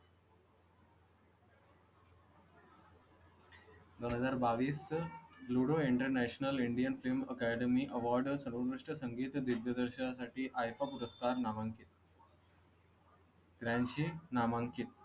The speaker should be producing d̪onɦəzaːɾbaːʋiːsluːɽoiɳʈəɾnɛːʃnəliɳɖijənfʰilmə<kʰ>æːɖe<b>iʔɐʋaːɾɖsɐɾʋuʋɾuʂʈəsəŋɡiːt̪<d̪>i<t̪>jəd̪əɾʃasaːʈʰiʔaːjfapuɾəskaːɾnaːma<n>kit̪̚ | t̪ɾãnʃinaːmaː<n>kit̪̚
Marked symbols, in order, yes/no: no, no, yes, no, no, no

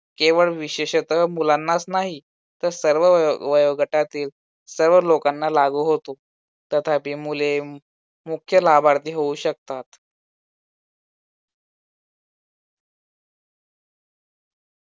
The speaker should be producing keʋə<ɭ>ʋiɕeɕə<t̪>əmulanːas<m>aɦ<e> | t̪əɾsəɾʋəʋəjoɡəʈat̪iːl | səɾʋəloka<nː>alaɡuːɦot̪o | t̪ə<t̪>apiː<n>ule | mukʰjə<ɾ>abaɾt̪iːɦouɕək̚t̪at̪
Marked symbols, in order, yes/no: yes, yes, no, no, yes, no, no, no

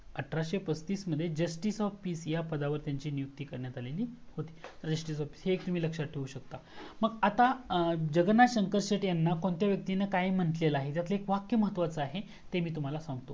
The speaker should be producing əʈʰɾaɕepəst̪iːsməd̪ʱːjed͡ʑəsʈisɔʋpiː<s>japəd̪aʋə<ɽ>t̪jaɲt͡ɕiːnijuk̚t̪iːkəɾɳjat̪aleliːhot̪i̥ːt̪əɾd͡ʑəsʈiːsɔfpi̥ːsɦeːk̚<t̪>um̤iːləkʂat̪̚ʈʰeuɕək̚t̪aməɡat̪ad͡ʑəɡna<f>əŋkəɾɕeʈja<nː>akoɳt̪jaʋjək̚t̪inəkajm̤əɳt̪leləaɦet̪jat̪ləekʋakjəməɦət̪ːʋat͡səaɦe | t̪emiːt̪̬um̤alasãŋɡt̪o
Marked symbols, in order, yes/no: yes, no, yes, no, yes

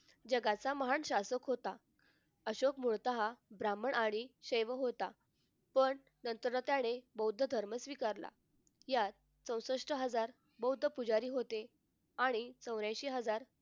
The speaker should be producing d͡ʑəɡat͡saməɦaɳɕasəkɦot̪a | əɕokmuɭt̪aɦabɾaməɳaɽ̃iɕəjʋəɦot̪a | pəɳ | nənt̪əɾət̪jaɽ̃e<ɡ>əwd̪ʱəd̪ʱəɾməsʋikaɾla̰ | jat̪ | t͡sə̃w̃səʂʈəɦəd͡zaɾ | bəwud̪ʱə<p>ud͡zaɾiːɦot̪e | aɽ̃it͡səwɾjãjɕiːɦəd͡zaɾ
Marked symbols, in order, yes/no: no, yes

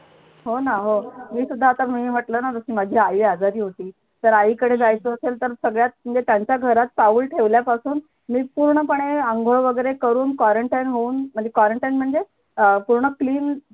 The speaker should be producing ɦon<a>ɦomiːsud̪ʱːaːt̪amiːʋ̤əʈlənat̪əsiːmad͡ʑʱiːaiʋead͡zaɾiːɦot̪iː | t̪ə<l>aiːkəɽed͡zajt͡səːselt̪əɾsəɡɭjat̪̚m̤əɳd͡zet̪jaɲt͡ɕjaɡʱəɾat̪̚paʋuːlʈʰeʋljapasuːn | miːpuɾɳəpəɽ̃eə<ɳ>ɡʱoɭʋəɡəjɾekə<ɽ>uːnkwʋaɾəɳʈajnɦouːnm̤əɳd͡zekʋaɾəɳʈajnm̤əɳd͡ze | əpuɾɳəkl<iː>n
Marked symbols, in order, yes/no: yes, no, no, no, yes

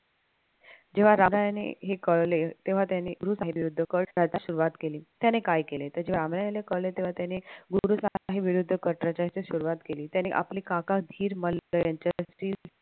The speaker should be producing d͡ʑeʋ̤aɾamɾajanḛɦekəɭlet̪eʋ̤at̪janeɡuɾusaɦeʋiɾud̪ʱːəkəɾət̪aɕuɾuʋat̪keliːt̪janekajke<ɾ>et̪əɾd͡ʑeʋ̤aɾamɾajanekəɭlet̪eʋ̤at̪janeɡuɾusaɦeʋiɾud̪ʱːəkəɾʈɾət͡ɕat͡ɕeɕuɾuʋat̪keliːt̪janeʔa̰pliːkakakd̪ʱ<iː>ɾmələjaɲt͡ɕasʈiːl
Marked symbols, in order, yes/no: no, yes

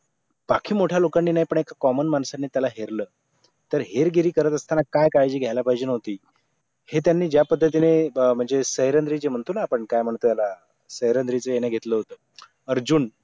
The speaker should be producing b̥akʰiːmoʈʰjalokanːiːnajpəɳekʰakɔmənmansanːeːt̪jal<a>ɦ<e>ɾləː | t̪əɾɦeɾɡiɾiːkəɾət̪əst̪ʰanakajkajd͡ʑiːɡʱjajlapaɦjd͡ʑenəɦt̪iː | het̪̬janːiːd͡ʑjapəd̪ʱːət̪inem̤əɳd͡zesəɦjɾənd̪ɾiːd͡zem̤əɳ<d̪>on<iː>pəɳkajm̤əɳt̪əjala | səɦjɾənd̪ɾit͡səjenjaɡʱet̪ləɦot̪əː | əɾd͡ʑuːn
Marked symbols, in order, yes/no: yes, yes, no, no

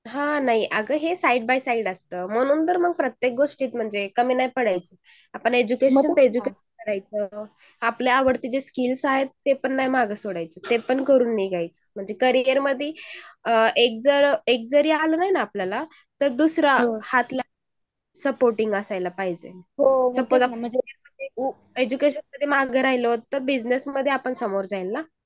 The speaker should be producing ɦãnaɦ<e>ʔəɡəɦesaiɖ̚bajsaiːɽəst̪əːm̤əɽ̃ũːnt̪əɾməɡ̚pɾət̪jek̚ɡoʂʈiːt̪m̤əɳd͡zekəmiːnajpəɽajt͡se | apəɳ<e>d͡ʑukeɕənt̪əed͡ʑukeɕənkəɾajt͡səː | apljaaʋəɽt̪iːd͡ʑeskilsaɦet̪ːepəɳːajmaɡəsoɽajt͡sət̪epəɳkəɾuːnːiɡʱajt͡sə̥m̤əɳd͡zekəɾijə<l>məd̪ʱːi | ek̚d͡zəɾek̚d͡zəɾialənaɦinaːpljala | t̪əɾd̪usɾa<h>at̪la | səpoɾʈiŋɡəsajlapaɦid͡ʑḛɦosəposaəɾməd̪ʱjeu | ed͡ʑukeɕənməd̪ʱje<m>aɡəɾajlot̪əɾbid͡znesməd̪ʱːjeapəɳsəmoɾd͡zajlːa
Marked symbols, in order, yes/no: no, yes, no, yes, yes

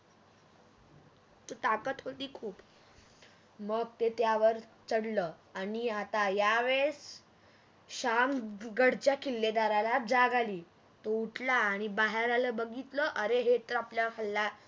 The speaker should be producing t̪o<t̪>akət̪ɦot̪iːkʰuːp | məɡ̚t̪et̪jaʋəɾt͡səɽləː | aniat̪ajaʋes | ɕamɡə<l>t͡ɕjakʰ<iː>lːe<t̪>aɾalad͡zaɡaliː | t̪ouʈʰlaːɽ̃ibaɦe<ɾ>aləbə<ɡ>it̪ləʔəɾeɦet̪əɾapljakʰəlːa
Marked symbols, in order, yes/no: yes, no, no, no, yes, yes

